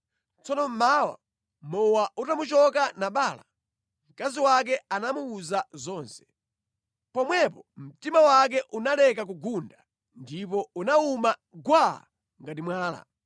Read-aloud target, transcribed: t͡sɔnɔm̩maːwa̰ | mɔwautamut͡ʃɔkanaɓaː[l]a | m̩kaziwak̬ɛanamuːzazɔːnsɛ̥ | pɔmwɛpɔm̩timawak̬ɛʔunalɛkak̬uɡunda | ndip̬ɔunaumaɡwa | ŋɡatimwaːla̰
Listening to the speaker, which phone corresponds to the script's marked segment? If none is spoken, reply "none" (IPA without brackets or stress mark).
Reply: l